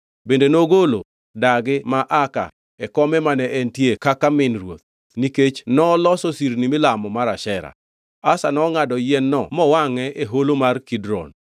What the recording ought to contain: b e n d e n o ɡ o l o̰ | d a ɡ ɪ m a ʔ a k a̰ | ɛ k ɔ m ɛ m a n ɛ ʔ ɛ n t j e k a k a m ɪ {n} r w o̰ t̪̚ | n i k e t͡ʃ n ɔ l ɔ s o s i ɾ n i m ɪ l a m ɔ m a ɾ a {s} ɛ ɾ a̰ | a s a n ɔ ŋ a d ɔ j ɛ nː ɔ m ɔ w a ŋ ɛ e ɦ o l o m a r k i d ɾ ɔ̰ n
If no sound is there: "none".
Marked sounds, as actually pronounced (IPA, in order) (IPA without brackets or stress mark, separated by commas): n, ʃ